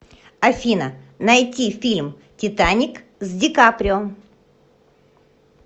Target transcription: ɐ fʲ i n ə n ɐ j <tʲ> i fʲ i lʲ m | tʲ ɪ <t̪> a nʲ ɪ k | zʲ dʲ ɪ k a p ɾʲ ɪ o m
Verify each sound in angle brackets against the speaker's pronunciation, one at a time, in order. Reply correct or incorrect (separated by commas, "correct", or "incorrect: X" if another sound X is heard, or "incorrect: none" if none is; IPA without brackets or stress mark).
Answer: correct, correct